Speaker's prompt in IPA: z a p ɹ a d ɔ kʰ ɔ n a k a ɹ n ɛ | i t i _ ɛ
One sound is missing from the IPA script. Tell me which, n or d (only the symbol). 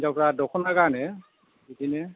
n